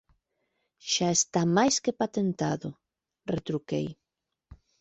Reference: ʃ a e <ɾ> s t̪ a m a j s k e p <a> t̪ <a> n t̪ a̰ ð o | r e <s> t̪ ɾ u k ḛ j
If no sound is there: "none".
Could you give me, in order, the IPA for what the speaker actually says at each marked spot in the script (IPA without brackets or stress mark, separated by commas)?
none, a, e, none